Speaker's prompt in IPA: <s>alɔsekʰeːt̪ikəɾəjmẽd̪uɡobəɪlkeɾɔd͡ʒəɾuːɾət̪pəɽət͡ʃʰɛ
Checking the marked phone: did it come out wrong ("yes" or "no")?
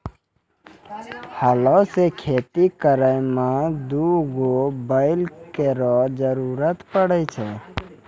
yes